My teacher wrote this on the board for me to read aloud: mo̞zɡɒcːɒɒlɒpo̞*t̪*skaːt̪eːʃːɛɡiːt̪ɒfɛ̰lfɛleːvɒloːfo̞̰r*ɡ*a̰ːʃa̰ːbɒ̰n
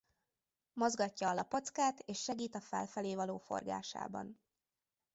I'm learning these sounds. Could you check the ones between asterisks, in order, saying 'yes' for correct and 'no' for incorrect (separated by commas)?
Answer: yes, yes